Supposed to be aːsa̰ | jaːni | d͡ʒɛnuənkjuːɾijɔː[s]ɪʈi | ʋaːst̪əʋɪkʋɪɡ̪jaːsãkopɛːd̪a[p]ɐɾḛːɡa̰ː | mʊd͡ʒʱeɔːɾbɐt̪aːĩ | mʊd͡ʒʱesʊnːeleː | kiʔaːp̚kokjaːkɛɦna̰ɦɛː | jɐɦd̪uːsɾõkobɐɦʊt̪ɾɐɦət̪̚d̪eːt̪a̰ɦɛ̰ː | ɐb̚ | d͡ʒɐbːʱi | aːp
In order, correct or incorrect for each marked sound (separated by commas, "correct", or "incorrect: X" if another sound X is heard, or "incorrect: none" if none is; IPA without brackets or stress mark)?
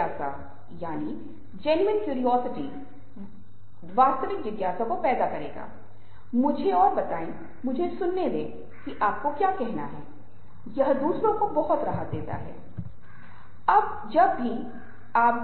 correct, incorrect: k